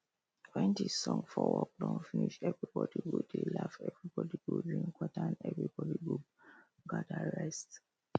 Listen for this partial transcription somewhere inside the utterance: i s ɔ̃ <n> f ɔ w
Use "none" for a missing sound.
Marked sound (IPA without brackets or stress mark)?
ŋ